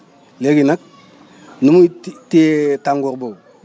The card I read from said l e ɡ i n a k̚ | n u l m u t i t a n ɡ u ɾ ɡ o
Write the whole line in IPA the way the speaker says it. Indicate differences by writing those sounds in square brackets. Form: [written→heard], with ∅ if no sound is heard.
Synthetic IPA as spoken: l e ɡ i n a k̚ | n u [l→∅] m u t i t a [n→ŋ] ɡ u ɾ [ɡ→b] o